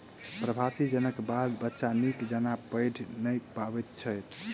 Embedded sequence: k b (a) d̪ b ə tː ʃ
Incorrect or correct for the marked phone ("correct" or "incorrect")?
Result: correct